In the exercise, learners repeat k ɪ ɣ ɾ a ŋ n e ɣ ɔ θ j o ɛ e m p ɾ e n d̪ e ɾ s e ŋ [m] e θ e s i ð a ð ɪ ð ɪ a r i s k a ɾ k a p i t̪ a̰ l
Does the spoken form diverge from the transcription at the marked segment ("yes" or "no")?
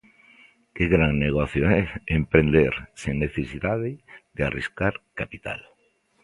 yes